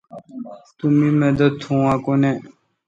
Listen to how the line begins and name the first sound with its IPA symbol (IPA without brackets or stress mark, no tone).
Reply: t̪